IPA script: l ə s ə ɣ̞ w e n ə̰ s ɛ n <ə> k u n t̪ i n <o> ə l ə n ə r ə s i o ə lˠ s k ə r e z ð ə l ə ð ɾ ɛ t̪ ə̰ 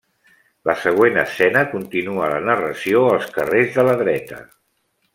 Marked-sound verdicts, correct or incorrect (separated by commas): correct, incorrect